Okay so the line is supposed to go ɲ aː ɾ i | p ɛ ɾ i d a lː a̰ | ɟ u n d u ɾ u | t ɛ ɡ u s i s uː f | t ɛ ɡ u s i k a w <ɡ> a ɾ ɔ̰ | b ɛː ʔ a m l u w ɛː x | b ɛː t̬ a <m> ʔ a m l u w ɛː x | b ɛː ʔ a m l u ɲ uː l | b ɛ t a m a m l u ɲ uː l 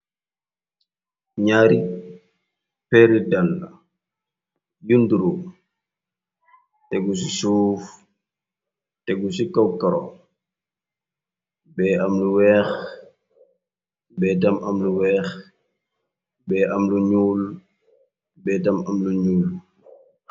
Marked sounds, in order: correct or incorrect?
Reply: incorrect, correct

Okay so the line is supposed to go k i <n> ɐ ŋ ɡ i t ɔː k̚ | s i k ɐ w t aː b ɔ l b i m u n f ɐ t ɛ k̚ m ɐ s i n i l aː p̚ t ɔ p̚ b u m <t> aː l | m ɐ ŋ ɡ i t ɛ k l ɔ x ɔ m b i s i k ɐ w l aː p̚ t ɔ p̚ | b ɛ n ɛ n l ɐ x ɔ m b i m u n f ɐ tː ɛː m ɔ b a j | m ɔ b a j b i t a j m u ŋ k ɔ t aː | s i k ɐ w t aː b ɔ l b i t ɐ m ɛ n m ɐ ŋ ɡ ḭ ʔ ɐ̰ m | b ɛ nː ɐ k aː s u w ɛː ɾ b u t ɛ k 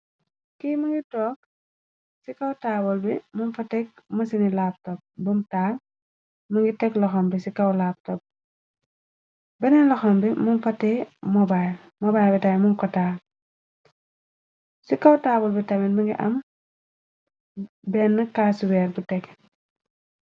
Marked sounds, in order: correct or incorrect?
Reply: incorrect, correct

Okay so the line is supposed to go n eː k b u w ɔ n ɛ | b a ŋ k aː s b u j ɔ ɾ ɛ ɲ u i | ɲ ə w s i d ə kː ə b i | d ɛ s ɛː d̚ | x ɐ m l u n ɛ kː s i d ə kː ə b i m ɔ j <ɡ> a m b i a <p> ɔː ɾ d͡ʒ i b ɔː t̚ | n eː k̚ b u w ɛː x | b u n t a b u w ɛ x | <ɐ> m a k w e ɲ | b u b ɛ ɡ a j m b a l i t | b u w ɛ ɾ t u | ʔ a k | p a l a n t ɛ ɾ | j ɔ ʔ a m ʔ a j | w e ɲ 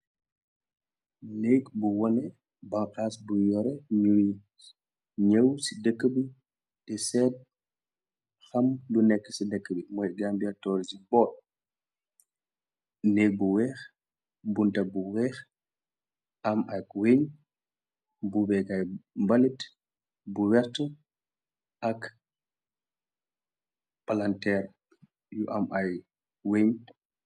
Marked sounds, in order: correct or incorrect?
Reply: correct, incorrect, incorrect

